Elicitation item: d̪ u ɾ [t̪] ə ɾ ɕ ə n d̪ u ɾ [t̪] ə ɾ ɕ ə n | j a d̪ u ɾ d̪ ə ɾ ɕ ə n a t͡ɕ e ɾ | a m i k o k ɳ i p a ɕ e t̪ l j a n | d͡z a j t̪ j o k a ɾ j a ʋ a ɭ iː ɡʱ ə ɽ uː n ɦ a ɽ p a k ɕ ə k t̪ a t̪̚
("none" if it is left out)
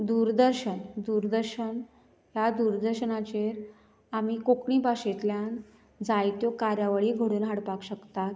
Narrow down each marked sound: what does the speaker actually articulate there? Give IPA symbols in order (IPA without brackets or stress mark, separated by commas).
d̪, d̪